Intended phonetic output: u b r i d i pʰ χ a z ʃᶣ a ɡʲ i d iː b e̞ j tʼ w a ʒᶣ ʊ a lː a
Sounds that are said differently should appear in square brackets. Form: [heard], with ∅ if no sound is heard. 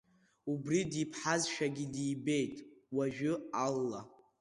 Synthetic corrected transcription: u b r i d i pʰ [ħ] a z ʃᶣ a ɡʲ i d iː b e̞ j tʼ w a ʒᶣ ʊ a lː a